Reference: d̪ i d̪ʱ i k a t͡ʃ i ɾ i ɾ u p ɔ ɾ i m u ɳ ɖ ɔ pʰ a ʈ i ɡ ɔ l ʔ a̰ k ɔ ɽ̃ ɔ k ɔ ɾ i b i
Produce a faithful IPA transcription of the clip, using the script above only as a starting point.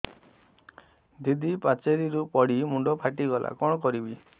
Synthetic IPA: d̪ i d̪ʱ i p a t͡ʃ e ɾ i ɾ u p ɔ ɽ i m u ɳ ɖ ɔ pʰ a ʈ i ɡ ɔ l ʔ a̰ k ɔ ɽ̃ ɔ k ɔ ɾ i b i